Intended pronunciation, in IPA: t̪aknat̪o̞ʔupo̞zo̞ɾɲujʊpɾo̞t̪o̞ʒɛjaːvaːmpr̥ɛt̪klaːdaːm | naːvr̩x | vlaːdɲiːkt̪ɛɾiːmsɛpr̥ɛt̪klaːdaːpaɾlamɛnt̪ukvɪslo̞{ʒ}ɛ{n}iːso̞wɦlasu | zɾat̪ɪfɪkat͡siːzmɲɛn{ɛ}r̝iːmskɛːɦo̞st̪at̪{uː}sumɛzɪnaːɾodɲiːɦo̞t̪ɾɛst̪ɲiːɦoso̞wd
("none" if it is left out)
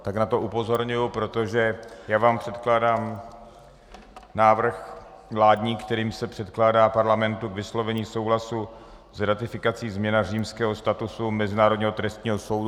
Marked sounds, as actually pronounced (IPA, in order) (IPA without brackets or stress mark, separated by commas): v, ɲ, a, u